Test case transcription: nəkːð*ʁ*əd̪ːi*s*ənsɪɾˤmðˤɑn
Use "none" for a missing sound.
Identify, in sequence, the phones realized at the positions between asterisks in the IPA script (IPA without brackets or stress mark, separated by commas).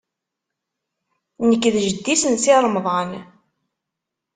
ʒ, s